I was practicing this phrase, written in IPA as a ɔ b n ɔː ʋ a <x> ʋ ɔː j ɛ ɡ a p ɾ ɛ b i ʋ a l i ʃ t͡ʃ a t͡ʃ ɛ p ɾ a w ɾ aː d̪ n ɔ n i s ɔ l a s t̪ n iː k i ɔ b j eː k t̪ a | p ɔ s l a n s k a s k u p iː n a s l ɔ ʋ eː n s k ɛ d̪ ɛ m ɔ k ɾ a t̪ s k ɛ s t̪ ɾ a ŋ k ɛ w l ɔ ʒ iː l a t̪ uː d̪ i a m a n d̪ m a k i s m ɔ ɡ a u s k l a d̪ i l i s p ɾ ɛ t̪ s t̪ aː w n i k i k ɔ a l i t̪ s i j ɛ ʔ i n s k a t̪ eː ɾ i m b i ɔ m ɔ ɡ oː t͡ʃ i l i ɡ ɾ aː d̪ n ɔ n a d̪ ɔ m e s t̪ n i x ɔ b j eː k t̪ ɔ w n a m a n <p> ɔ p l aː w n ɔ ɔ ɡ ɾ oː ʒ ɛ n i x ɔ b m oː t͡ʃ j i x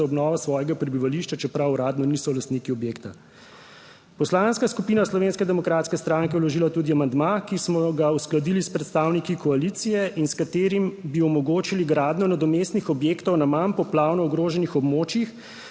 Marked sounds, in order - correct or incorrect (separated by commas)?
incorrect, correct